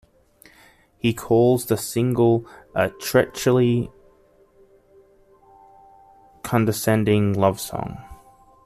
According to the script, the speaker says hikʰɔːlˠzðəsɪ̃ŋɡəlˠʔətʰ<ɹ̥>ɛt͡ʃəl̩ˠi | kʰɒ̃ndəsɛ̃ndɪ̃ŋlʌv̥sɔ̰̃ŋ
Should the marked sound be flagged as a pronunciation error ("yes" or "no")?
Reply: no